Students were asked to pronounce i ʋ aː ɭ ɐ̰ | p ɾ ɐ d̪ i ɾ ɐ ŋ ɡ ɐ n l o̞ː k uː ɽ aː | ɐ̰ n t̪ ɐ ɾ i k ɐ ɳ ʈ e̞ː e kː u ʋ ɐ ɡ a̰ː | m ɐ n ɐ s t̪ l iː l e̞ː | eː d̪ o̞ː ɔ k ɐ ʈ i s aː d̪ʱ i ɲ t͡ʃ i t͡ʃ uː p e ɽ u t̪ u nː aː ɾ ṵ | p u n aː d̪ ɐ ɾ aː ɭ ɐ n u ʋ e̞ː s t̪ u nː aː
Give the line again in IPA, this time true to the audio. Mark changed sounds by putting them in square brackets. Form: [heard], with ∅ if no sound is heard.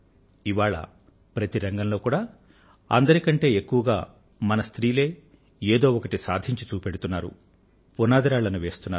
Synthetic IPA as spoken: i ʋ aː ɭ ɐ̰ | p ɾ ɐ [t̪] i ɾ ɐ ŋ ɡ ɐ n l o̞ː k uː ɽ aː | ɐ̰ n [d̪] ɐ ɾ i k ɐ ɳ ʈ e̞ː e kː u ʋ ɐ ɡ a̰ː | m ɐ n ɐ s t̪ [ɾ] iː l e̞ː | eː d̪ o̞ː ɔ k ɐ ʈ i s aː d̪ʱ i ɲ t͡ʃ i t͡ʃ uː p e ɽ u t̪ u nː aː ɾ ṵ | p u n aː d̪ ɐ ɾ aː ɭ ɐ n u ʋ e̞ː s t̪ u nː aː

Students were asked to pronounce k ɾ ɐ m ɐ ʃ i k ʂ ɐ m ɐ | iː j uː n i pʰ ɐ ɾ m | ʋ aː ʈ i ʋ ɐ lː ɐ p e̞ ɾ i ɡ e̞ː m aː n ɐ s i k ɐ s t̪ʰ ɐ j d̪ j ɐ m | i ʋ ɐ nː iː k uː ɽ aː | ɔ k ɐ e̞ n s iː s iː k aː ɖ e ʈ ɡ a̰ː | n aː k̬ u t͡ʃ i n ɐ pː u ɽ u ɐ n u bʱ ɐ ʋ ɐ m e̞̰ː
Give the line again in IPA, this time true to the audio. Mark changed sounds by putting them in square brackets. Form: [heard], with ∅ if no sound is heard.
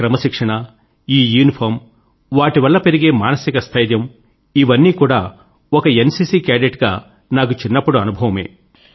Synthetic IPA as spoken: k ɾ ɐ m ɐ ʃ i k ʂ ɐ [ɳ] ɐ | iː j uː n i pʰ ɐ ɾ m | ʋ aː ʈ i ʋ ɐ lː ɐ p e̞ ɾ i ɡ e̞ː m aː n ɐ s i k ɐ s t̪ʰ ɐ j d̪ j ɐ m | i ʋ ɐ nː iː k uː ɽ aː | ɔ k ɐ e̞ n s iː s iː k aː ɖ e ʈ ɡ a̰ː | n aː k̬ u t͡ʃ i [nː] ɐ pː u ɽ u ɐ n u bʱ ɐ ʋ ɐ m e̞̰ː

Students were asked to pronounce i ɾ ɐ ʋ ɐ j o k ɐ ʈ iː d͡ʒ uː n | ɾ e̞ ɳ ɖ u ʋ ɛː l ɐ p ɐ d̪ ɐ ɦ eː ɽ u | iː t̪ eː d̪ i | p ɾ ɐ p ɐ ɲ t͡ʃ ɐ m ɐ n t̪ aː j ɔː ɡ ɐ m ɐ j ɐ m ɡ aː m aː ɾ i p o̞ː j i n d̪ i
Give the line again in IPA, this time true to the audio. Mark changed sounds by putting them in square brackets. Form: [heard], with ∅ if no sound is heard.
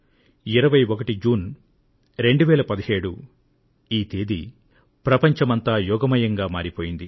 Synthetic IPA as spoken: i ɾ ɐ ʋ ɐ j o k ɐ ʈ [i] d͡ʒ uː n | ɾ e̞ ɳ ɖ u ʋ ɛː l ɐ p ɐ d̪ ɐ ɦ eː ɽ u | iː t̪ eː d̪ i | p ɾ ɐ p ɐ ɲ t͡ʃ ɐ m ɐ n t̪ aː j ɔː ɡ ɐ m ɐ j ɐ [ŋ] ɡ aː m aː ɾ i p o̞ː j i n d̪ i

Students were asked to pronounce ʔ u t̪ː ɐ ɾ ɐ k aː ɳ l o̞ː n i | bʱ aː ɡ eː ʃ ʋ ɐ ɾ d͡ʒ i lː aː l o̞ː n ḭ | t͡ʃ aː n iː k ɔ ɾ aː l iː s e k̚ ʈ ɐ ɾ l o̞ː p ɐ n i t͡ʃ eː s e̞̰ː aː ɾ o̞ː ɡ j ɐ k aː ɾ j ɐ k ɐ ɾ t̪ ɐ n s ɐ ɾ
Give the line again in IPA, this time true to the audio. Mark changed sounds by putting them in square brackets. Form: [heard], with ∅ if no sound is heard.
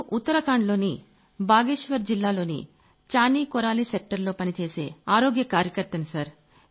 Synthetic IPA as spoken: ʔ u t̪ː ɐ ɾ ɐ k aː ɳ l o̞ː n i | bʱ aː ɡ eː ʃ ʋ ɐ ɾ d͡ʒ i lː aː l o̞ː n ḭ | t͡ʃ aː n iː k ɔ ɾ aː l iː s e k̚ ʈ ɐ ɾ l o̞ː p ɐ n i t͡ʃ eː s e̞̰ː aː ɾ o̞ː ɡ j ɐ k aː ɾ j ɐ k ɐ ɾ t̪ ɐ n s ɐ ɾ

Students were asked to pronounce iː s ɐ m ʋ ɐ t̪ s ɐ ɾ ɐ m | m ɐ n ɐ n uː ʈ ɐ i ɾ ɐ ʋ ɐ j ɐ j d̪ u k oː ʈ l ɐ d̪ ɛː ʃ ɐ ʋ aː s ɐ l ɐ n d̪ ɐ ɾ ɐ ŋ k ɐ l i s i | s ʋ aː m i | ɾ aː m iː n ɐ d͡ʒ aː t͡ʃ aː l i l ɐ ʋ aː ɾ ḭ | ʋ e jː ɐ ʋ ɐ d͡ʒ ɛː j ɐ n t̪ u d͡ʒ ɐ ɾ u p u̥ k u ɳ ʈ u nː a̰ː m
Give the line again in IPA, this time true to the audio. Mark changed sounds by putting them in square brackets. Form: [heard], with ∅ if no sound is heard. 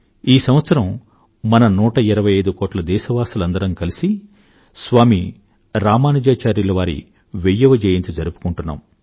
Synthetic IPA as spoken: iː s ɐ m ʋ ɐ t̪ s ɐ ɾ ɐ m | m ɐ n ɐ n uː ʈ ɐ i ɾ ɐ ʋ ɐ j ɐ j d̪ u k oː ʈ l ɐ d̪ ɛː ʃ ɐ ʋ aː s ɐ l ɐ n d̪ ɐ ɾ ɐ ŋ k ɐ l i s i | s ʋ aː m i | ɾ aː m [aː] n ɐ d͡ʒ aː t͡ʃ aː [ɾ] i l ɐ ʋ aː ɾ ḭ | ʋ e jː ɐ ʋ ɐ d͡ʒ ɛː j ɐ n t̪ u d͡ʒ ɐ ɾ u p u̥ k u ɳ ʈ u nː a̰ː m

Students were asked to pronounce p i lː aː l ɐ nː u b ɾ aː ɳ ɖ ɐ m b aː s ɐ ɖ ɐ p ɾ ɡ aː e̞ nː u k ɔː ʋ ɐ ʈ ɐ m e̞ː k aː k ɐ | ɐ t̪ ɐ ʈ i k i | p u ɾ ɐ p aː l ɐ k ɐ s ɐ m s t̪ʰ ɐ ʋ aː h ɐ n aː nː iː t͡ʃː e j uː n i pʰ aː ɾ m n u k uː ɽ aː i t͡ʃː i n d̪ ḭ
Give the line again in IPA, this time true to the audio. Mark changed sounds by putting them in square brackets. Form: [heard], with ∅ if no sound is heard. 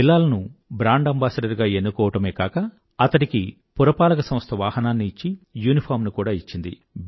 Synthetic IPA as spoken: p i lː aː l ɐ [n] u b ɾ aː ɳ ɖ ɐ m b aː s ɐ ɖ ɐ [∅] ɾ ɡ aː e̞ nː u k ɔː ʋ ɐ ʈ ɐ m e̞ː k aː k ɐ | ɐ t̪ ɐ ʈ i k i | p u ɾ ɐ p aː l ɐ k ɐ s ɐ m s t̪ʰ ɐ ʋ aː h ɐ n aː nː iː t͡ʃː [i] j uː n i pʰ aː ɾ m n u k uː ɽ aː i t͡ʃː i n d̪ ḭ

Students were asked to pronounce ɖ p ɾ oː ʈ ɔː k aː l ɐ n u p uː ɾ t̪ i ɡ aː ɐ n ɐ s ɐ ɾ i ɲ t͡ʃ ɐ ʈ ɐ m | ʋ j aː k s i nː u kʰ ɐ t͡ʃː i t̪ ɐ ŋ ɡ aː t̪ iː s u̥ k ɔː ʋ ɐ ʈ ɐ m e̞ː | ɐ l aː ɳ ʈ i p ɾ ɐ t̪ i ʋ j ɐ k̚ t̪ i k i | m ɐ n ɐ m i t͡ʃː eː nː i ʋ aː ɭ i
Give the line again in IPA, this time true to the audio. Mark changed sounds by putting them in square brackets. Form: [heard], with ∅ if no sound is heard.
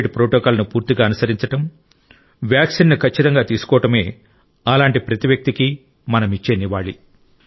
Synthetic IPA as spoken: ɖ p ɾ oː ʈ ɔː k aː l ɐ n u p uː ɾ t̪ i ɡ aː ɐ n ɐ s ɐ ɾ i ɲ t͡ʃ ɐ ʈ ɐ m | ʋ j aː k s i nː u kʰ ɐ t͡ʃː i t̪ ɐ ŋ ɡ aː t̪ iː s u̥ k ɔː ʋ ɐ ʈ ɐ m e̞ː | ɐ l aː ɳ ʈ i p ɾ ɐ t̪ i ʋ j ɐ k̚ t̪ i k i | m ɐ n ɐ m i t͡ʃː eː [n] i ʋ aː ɭ i

